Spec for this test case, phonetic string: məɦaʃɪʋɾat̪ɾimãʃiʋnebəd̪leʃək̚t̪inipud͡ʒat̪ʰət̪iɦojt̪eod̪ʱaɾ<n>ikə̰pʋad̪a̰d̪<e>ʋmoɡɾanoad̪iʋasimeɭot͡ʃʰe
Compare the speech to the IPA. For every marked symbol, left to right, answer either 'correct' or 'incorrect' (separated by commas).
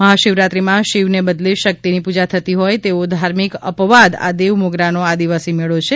incorrect, correct